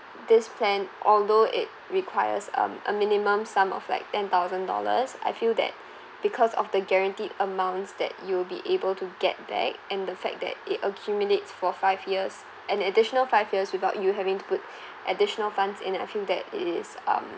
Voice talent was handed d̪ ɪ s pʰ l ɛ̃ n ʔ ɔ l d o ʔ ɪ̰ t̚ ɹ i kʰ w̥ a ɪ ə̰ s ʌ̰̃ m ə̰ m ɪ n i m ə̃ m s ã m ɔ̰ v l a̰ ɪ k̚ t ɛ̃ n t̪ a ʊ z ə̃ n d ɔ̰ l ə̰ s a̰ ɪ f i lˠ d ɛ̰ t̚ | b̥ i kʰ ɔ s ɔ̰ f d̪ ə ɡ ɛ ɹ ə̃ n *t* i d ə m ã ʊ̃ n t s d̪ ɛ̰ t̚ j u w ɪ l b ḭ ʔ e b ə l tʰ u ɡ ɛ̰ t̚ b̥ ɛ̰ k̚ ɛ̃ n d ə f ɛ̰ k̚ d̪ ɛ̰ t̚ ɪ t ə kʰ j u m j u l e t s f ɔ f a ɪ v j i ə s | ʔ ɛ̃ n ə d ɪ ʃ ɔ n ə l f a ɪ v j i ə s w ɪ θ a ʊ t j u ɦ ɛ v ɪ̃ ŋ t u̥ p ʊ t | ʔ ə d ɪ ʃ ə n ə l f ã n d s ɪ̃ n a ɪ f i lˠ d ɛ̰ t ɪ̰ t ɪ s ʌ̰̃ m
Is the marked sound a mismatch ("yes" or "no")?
no